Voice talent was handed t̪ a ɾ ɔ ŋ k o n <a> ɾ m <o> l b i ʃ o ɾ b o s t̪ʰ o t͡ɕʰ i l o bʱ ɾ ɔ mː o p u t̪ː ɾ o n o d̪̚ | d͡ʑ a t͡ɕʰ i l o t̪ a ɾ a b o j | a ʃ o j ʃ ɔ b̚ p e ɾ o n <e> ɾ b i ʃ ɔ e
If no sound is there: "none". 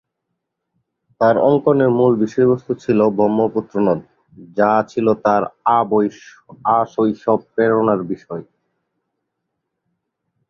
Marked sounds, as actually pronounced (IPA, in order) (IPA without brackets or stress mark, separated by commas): e, u, a